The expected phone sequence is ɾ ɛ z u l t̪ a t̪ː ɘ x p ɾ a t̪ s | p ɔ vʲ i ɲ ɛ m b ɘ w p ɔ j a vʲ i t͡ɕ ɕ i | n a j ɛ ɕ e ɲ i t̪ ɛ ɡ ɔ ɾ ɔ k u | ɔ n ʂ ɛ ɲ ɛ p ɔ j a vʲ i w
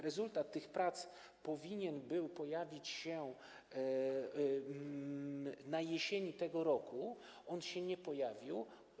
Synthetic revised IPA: ɾ ɛ z u l t̪ a t̪ː ɘ x p ɾ a t̪ s | p ɔ vʲ i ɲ ɛ n b ɘ w p ɔ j a vʲ i t͡ɕ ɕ ɛ | n a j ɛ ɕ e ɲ i t̪ ɛ ɡ ɔ ɾ ɔ k u | ɔ n ɕ ɛ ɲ ɛ p ɔ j a vʲ i w